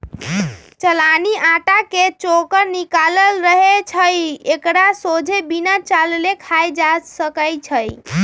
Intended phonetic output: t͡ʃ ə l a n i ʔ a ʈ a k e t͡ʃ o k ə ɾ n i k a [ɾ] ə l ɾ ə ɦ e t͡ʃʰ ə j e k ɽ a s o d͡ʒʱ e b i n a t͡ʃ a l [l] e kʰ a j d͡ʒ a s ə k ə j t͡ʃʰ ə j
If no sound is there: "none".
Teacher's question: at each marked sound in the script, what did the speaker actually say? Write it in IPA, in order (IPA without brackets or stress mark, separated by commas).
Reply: l, l